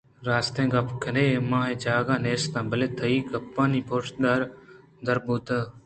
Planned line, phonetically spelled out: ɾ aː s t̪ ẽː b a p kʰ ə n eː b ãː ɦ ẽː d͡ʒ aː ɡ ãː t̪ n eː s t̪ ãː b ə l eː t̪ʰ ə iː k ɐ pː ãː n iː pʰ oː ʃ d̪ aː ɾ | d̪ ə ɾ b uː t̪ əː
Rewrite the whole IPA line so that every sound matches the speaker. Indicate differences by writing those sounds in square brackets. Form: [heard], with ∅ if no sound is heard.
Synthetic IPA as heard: ɾ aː s t̪ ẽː [ɡ] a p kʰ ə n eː [m] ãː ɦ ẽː d͡ʒ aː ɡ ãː [∅] n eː s t̪ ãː b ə l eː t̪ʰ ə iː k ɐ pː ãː n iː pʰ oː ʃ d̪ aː ɾ | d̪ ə ɾ b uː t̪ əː